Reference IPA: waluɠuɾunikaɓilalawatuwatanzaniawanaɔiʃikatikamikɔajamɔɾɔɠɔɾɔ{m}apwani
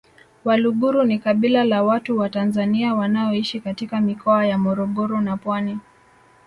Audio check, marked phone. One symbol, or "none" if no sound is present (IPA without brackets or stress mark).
n